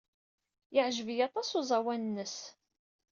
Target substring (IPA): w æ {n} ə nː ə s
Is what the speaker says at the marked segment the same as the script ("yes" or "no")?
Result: yes